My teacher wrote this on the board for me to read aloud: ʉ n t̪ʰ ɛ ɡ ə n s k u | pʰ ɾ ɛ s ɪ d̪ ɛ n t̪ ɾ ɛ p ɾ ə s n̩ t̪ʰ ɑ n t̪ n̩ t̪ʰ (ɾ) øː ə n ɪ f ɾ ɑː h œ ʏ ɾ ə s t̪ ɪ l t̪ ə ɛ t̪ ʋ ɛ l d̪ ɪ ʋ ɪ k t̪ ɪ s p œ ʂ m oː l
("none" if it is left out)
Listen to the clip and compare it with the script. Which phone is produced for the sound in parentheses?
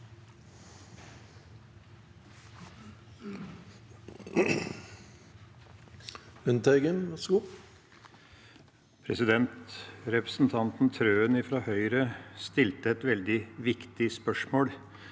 ɾ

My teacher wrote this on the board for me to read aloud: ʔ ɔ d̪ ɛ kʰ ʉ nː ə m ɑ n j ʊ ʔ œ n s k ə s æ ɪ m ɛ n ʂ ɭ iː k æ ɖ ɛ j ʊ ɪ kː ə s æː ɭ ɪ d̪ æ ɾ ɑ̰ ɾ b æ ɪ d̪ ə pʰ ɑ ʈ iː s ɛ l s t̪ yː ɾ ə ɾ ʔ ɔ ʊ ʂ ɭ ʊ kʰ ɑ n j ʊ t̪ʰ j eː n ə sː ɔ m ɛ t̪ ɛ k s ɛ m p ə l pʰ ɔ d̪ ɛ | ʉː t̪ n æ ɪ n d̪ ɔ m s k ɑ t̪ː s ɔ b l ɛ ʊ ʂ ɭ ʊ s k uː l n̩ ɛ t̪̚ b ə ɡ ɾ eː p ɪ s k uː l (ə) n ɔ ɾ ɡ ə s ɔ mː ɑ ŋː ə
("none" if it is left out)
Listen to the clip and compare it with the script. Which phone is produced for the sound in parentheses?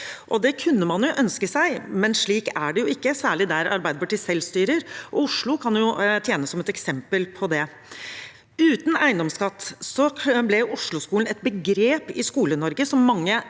ə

